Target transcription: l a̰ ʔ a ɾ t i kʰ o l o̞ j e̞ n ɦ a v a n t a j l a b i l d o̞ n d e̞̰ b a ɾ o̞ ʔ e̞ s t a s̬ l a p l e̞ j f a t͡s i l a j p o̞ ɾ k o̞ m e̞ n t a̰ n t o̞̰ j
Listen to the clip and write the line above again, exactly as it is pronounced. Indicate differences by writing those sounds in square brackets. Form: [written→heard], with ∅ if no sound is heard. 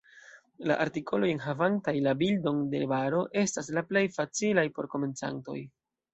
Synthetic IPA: l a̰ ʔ a ɾ t i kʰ o l o̞ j e̞ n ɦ a v a n t a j l a b i l d o̞ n d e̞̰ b a ɾ o̞ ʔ e̞ s t a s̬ l a p l e̞ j f a t͡s i l a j p o̞ ɾ k o̞ m e̞ n [t→t͡s] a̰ n t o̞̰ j